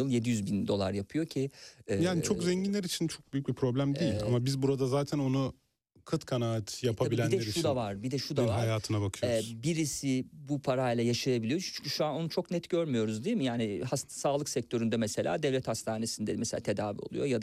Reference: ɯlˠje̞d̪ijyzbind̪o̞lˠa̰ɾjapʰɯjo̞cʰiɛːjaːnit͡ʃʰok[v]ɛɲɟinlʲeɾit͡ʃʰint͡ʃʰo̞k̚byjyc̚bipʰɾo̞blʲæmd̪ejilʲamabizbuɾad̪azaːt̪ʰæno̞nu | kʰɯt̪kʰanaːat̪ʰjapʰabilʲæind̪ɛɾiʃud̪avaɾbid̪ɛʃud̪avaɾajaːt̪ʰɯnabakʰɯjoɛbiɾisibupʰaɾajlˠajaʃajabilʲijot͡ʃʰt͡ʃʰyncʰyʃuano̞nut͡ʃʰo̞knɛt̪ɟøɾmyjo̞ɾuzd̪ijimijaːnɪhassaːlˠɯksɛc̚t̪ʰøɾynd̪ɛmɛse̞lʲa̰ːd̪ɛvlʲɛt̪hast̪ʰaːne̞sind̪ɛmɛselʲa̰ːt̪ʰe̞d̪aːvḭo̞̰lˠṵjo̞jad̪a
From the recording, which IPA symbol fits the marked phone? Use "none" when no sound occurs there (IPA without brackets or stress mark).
z